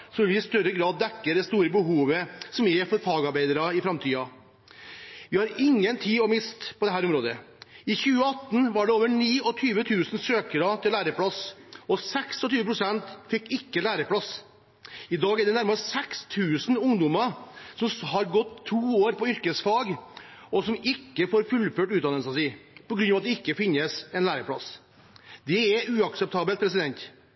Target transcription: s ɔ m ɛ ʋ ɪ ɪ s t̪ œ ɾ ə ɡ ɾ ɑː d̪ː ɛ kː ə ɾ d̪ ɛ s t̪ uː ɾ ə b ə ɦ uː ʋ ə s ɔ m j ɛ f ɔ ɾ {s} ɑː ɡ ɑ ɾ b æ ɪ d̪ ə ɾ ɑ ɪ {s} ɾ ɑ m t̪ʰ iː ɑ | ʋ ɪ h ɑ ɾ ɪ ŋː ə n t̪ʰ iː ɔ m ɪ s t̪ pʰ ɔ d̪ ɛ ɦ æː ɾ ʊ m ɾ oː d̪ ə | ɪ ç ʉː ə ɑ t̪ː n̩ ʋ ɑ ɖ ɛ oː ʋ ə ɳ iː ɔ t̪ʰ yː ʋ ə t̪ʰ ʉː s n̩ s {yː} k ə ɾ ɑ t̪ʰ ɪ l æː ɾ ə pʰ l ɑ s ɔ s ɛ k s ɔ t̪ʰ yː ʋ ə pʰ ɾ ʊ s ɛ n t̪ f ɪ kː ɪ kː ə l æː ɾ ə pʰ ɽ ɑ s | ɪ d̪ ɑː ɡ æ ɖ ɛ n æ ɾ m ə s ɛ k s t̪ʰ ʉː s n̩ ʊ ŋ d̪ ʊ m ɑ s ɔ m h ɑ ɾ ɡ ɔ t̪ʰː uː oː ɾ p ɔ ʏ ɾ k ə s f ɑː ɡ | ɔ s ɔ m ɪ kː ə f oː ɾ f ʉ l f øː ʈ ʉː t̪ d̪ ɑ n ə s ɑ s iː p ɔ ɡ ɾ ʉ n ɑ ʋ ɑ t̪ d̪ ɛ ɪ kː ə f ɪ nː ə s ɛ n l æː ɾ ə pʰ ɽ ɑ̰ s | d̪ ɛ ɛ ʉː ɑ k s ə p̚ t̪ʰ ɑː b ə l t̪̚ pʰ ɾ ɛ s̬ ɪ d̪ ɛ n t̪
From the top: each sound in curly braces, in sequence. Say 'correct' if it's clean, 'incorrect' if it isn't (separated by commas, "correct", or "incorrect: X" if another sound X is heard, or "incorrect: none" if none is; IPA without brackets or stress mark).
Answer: incorrect: f, incorrect: f, incorrect: øː